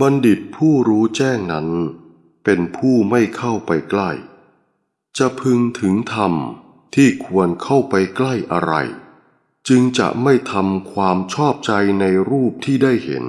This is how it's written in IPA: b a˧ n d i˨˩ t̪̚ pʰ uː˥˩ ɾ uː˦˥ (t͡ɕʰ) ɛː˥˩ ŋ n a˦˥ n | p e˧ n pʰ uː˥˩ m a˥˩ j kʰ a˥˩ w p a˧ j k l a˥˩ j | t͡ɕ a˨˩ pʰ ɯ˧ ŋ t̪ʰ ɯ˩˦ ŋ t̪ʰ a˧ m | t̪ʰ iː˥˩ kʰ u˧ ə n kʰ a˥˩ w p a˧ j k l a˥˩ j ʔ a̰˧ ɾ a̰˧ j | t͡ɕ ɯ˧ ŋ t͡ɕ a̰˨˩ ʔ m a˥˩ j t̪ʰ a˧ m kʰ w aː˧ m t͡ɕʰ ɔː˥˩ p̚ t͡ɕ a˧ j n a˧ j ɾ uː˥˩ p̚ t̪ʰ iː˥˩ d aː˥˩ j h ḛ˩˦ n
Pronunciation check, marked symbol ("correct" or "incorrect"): incorrect